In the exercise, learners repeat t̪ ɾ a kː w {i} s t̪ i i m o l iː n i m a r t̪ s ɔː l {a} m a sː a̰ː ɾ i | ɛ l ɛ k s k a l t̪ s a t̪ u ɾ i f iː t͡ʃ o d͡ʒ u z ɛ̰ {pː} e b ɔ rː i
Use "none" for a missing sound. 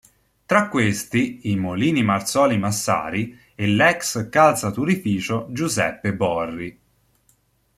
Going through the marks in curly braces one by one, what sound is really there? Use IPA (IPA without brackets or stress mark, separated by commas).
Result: e, i, pː